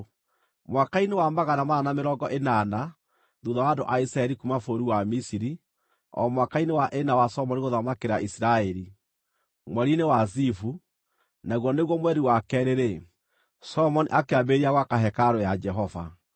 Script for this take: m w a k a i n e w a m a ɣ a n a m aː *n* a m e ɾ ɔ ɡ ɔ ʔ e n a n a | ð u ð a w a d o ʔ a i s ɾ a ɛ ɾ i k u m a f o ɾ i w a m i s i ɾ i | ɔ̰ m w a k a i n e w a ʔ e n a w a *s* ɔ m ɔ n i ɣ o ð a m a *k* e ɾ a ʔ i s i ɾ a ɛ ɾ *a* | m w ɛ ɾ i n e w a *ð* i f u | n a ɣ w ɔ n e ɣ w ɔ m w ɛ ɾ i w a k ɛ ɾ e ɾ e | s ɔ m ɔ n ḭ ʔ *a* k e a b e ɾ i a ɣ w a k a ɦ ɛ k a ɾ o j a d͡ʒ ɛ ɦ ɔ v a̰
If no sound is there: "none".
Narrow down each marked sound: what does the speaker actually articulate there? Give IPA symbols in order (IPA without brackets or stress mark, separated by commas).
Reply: n, s, k, i, z, a